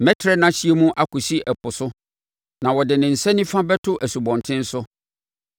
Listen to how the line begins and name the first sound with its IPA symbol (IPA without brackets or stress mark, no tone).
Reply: m